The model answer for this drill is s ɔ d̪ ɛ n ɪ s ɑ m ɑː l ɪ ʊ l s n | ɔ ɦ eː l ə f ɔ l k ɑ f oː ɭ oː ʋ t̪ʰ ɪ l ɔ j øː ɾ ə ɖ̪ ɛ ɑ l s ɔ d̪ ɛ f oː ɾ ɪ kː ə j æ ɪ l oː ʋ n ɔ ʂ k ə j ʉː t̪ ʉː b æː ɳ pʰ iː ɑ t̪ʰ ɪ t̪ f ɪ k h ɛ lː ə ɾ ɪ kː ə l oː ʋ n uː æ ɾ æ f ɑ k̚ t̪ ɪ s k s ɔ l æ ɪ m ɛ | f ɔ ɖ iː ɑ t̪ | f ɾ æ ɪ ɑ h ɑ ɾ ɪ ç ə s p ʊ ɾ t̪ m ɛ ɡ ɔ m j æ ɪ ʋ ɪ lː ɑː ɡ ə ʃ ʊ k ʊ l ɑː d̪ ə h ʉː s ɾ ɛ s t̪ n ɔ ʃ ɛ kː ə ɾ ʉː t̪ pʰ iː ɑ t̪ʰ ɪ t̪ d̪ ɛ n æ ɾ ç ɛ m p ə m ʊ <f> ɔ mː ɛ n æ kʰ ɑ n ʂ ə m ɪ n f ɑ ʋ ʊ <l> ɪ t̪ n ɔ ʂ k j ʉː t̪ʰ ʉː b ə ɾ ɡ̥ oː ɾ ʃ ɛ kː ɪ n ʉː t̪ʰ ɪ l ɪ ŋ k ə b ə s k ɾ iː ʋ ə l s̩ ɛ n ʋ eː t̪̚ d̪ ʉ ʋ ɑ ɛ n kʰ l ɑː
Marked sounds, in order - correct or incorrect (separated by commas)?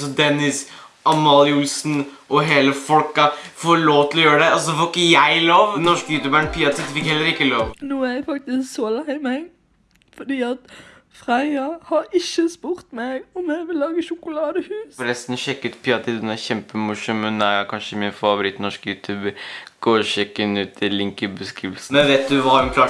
incorrect, incorrect